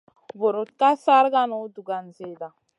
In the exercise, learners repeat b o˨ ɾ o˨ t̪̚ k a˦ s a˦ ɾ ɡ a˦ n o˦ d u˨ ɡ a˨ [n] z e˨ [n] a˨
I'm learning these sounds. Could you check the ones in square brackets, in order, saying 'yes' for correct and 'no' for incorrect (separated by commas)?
yes, no